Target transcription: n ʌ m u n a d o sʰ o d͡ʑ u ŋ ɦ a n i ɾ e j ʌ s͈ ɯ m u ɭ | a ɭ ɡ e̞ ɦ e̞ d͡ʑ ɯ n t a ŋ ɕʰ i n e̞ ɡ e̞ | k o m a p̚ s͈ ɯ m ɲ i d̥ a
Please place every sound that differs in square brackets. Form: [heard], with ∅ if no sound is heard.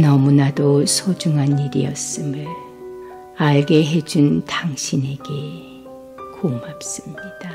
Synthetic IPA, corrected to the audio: n ʌ m u n a d o sʰ o d͡ʑ u ŋ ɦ a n i ɾ [i] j ʌ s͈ ɯ m [ɯ] ɭ | a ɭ ɡ e̞ ɦ e̞ d͡ʑ [u] n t a ŋ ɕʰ i n e̞ ɡ e̞ | k o m a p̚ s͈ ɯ m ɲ i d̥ a

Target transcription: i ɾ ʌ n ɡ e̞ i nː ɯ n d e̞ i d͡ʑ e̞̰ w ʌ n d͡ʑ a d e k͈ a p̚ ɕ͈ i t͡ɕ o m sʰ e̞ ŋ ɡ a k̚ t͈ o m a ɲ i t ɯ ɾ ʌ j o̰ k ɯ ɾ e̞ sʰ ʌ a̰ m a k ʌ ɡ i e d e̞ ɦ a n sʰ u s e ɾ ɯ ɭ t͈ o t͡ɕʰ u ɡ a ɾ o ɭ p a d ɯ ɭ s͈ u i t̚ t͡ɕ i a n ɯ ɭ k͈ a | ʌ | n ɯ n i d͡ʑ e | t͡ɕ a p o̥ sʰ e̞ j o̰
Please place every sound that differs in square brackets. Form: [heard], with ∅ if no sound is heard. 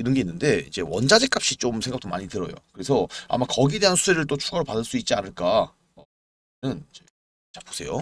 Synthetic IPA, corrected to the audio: i ɾ ʌ n ɡ e̞ i nː ɯ n d e̞ i d͡ʑ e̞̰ w ʌ n d͡ʑ a [d͡ʑ] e k͈ a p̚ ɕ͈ i t͡ɕ o m sʰ e̞ ŋ ɡ a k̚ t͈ o m a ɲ i t ɯ ɾ ʌ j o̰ k ɯ ɾ e̞ sʰ ʌ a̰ m a k ʌ ɡ i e d e̞ ɦ a n sʰ u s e ɾ ɯ ɭ t͈ o t͡ɕʰ u ɡ a ɾ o ɭ p a d ɯ ɭ s͈ u i t̚ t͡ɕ i a n ɯ ɭ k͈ a | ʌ | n ɯ n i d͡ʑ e | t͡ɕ a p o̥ sʰ e̞ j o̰

